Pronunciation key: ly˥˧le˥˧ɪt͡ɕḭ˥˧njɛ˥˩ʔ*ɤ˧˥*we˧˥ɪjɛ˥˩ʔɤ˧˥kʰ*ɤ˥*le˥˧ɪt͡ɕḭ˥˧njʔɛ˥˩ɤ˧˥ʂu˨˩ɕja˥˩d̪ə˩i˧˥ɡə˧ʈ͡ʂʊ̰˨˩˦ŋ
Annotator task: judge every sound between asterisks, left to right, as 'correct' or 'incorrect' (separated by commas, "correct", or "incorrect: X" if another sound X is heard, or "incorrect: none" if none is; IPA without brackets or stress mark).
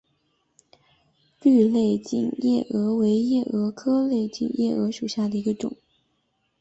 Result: correct, correct